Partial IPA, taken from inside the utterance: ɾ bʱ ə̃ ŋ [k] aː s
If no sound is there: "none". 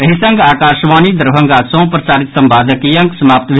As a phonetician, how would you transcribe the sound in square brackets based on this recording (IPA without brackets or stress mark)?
ɡ